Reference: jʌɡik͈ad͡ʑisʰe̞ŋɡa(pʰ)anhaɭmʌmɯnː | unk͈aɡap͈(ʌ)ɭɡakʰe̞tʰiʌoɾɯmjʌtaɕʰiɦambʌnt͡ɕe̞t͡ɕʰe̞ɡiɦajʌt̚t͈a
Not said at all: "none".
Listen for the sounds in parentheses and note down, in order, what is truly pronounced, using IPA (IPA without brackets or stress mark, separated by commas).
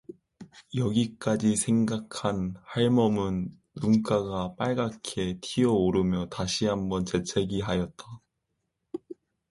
kʰ, a